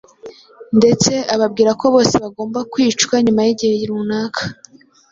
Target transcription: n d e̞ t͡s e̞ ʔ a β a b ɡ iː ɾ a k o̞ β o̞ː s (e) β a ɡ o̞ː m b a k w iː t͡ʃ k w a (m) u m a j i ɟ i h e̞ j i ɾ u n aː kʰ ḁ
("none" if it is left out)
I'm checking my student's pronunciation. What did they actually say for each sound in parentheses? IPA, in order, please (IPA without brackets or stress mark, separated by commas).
e, ɲ